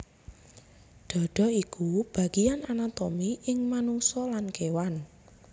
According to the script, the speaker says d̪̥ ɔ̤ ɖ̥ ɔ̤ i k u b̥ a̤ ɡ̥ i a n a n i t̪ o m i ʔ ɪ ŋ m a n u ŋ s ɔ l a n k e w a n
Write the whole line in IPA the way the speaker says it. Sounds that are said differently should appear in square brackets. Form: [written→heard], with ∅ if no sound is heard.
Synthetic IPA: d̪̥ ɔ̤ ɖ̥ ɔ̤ i k u b̥ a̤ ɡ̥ i a n a n [i→a] t̪ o m i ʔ ɪ ŋ m a n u ŋ s ɔ l a n k e w a n